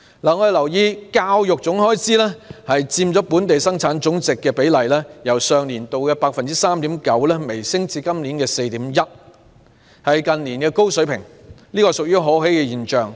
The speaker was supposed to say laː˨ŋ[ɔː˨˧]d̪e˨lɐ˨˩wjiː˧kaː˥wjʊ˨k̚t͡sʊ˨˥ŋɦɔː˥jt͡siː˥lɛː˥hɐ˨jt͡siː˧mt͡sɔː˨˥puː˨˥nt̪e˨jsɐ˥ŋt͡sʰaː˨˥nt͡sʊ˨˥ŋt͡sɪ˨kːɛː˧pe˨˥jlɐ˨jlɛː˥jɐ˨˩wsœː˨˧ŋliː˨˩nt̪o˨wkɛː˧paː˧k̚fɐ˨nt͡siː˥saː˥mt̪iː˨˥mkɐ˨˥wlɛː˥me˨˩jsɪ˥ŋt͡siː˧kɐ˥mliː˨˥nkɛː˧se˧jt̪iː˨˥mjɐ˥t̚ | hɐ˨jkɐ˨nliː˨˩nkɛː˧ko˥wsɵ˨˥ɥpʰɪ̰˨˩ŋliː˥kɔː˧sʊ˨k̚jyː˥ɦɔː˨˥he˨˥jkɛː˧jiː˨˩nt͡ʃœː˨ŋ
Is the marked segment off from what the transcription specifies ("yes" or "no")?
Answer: yes